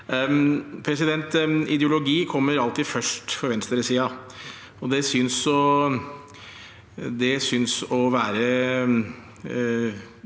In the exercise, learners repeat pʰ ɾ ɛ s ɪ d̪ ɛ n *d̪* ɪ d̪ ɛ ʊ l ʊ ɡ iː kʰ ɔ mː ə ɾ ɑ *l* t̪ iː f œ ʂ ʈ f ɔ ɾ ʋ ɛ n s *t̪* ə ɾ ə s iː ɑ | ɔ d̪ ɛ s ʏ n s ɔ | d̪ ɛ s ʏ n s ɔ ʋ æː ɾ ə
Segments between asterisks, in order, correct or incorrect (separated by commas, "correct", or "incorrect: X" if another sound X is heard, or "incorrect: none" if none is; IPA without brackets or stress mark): incorrect: t̪, correct, correct